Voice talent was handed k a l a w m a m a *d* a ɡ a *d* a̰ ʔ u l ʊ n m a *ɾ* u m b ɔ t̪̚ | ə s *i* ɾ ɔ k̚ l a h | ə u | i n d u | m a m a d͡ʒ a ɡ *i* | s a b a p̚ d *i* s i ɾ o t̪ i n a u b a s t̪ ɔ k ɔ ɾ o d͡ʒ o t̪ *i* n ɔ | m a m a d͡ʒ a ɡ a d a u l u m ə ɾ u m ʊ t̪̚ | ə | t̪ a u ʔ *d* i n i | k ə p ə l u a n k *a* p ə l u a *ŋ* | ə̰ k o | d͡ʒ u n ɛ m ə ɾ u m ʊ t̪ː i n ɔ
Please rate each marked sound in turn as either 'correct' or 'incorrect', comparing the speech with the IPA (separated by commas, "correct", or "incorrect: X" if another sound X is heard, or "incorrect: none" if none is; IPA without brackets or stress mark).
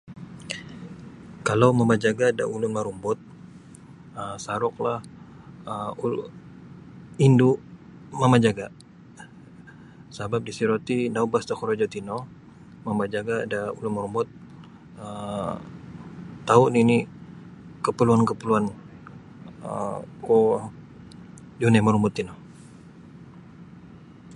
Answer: incorrect: d͡ʒ, correct, correct, incorrect: a, incorrect: a, correct, correct, incorrect: n, incorrect: ə, incorrect: n